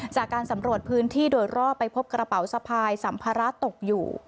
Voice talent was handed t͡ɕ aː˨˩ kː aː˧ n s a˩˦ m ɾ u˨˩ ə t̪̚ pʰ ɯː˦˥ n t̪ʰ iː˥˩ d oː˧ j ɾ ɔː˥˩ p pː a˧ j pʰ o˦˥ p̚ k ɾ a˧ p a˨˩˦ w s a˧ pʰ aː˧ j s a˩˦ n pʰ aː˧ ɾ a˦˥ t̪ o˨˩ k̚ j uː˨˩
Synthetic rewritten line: t͡ɕ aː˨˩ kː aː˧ n s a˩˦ m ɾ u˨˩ ə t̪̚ pʰ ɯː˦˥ n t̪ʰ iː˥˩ d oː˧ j ɾ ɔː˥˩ p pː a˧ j pʰ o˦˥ p̚ k ɾ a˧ p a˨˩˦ w s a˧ pʰ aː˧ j s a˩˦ m pʰ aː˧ ɾ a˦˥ t̪ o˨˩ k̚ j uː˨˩

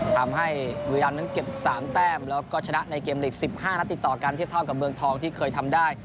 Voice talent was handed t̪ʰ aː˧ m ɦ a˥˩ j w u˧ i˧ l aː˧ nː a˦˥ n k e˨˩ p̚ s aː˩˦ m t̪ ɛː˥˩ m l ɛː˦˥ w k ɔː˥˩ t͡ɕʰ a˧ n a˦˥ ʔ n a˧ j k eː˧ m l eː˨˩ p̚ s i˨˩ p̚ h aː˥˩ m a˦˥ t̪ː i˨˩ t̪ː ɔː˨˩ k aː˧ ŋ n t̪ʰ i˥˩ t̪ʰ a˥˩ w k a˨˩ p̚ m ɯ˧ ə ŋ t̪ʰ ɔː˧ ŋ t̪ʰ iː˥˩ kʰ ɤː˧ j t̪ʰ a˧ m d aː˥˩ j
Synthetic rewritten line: t̪ʰ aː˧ m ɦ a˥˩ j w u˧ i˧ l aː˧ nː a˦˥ n k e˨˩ p̚ s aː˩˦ m t̪ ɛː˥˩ m l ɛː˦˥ w k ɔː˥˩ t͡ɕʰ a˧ n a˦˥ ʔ n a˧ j k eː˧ m l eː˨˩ k̚ s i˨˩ p̚ h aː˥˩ n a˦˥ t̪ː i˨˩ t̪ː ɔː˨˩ k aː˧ n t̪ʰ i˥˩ t̪ʰ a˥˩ w k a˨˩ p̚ m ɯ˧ ə ŋ t̪ʰ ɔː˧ ŋ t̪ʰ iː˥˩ kʰ ɤː˧ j t̪ʰ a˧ m d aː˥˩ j

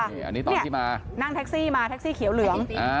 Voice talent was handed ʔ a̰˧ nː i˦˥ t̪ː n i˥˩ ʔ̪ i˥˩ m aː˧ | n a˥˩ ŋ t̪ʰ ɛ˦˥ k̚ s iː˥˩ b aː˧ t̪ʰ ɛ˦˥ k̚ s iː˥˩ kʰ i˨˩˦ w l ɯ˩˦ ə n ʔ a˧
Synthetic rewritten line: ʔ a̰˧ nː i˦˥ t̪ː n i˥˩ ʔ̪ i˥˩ m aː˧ | n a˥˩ ŋ t̪ʰ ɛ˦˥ k̚ s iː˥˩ m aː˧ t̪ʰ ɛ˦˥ k̚ s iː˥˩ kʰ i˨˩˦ w l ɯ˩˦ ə ŋ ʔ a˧

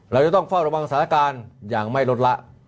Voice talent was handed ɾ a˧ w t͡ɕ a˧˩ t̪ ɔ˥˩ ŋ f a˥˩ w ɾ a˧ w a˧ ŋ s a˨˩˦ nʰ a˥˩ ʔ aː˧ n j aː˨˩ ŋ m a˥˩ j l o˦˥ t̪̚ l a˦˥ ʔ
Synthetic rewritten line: ɾ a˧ w t͡ɕ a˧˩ t̪ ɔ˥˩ ŋ f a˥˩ w ɾ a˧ w a˧ ŋ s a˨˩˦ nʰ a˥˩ k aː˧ n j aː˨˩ ŋ m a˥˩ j l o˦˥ t̪̚ l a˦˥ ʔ

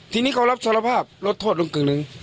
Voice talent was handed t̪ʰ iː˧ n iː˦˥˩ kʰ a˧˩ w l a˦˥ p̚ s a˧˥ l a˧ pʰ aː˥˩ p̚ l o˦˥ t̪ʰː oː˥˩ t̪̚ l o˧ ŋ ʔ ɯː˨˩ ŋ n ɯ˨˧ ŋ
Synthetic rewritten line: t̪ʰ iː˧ n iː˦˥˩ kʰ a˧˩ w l a˦˥ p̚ s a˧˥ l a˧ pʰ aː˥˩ p̚ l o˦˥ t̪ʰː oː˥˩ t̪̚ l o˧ ŋ k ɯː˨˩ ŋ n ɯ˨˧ ŋ

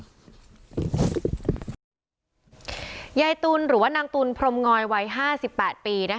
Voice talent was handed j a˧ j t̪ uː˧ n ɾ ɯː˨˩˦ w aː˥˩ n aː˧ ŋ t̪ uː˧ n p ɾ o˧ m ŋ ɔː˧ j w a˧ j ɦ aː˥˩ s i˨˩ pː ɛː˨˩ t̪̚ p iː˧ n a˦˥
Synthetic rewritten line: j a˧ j t̪ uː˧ n ɾ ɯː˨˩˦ w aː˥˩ n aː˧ ŋ t̪ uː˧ n pʰ ɾ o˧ m ŋ ɔː˧ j w a˧ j ɦ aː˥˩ s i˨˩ pː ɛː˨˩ t̪̚ p iː˧ n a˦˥

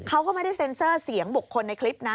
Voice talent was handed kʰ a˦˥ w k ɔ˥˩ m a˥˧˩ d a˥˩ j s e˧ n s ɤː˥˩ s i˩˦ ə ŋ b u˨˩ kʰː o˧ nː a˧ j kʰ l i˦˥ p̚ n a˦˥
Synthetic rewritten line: kʰ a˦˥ w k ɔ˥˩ m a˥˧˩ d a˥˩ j s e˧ n s ɤː˥˩ s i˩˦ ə ŋ b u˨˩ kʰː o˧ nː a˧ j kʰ l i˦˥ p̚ n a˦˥

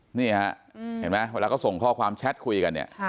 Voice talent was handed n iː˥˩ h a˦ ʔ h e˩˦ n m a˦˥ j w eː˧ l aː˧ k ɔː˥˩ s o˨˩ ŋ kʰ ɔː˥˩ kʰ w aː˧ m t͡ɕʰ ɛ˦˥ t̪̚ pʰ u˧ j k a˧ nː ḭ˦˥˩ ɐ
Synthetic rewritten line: n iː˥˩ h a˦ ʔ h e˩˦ n m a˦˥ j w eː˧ l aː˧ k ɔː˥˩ s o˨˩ ŋ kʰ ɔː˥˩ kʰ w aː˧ m t͡ɕʰ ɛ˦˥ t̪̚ kʰ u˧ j k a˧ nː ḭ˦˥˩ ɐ

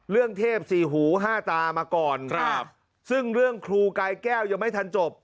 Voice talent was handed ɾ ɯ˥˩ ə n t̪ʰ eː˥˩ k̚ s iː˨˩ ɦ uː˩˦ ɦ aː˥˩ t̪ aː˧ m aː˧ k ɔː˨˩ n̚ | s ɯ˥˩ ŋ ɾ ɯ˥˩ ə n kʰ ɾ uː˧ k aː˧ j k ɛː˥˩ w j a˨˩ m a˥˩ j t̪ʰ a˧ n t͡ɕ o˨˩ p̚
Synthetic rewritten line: ɾ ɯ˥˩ ə ŋ t̪ʰ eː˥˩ p̚ s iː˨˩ ɦ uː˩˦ ɦ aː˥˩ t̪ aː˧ m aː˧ k ɔː˨˩ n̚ | s ɯ˥˩ ŋ ɾ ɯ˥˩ ə ŋ kʰ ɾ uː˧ k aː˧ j k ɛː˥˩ w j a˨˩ m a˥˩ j t̪ʰ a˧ n t͡ɕ o˨˩ p̚

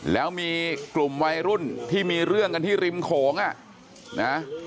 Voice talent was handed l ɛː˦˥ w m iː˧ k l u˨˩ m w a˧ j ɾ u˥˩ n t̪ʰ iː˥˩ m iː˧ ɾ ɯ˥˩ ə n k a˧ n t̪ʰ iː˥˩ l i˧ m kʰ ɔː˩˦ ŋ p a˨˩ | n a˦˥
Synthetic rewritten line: l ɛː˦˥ w m iː˧ k l u˨˩ m w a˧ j ɾ u˥˩ n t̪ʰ iː˥˩ m iː˧ ɾ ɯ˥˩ ə ŋ k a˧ n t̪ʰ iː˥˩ ɾ i˧ m kʰ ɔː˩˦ ŋ ʔ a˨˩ | n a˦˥

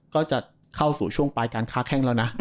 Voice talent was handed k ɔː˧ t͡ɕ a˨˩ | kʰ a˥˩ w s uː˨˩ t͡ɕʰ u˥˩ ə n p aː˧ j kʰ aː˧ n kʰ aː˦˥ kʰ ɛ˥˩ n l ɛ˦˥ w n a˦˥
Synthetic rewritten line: k ɔː˥˩ t͡ɕ a˨˩ | kʰ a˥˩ w s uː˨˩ t͡ɕʰ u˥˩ ə ŋ p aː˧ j k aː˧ n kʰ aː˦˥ kʰ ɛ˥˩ ŋ l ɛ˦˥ w n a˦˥

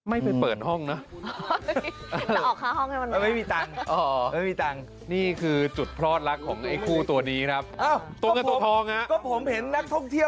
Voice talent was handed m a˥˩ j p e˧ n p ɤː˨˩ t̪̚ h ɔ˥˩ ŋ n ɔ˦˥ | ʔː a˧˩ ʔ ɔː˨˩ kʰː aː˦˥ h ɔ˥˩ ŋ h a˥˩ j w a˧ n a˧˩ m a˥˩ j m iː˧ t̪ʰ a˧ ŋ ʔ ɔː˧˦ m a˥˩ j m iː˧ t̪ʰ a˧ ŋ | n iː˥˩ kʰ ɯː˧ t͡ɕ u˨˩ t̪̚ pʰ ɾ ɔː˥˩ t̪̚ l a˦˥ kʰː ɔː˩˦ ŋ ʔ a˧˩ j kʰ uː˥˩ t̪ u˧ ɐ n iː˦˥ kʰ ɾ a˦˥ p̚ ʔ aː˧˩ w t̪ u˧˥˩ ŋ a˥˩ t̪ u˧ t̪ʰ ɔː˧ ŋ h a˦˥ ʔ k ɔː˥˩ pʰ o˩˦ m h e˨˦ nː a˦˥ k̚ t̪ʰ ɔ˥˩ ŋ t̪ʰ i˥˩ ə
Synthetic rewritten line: m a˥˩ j p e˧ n p ɤː˨˩ t̪̚ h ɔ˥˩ ŋ n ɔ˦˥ | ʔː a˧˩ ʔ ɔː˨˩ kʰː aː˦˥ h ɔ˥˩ ŋ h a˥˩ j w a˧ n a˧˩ m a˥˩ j m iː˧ t̪ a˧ ŋ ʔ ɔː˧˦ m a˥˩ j m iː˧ t̪ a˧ ŋ | n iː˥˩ kʰ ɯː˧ t͡ɕ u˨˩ t̪̚ pʰ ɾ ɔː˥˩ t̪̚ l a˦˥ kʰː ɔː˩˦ ŋ ʔ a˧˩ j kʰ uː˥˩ t̪ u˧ ɐ n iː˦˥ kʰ ɾ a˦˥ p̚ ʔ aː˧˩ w t̪ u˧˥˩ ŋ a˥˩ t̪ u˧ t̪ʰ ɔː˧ ŋ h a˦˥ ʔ k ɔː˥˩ pʰ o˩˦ m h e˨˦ nː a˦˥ k̚ t̪ʰ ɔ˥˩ ŋ t̪ʰ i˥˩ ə

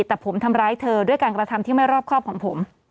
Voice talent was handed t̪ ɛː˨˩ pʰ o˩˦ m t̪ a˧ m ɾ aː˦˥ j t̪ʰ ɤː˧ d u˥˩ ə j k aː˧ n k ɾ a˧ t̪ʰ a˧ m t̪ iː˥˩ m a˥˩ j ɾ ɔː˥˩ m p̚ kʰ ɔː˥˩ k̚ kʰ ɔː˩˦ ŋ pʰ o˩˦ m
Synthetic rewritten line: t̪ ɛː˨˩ pʰ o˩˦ m t̪ʰ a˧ m ɾ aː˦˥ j t̪ʰ ɤː˧ d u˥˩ ə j k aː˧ n k ɾ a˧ t̪ʰ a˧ m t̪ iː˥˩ m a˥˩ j ɾ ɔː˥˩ p̚ kʰ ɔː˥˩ p̚ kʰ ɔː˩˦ ŋ pʰ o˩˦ m

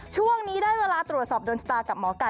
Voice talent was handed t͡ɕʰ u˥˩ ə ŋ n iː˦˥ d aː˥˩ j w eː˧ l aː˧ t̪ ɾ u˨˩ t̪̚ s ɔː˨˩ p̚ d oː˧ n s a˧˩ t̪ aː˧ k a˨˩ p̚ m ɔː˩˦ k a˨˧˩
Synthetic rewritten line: t͡ɕʰ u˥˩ ə ŋ n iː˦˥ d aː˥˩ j w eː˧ l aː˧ t̪ ɾ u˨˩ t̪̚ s ɔː˨˩ p̚ d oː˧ n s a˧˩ t̪ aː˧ k a˨˩ p̚ m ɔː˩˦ k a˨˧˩

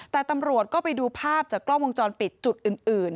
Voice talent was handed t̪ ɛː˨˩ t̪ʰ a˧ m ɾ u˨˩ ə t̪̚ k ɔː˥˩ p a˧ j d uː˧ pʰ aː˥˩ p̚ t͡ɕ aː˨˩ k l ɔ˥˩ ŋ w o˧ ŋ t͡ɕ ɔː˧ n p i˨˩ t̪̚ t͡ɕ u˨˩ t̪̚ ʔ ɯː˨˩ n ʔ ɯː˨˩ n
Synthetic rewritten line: t̪ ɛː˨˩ t̪ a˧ m ɾ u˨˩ ə t̪̚ k ɔː˥˩ p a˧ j d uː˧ pʰ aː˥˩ p̚ t͡ɕ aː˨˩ k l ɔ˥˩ ŋ w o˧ ŋ t͡ɕ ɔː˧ n p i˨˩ t̪̚ t͡ɕ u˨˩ t̪̚ ʔ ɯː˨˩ n ʔ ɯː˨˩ n

